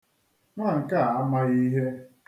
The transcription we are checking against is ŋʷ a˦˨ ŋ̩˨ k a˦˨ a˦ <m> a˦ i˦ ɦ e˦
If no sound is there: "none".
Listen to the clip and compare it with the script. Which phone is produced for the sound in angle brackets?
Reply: m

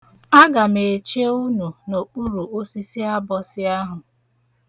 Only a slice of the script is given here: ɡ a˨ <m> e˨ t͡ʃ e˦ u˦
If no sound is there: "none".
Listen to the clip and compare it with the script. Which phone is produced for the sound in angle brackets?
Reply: m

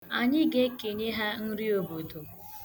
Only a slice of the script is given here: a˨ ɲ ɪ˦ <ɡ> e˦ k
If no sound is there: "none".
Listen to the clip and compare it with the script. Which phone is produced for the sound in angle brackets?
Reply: ɡ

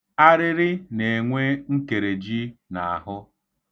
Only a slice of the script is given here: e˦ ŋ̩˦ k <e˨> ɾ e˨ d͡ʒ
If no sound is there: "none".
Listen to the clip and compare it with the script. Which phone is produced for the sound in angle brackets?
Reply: e˨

